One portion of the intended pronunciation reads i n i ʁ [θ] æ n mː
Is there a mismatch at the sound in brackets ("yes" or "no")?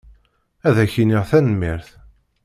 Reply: no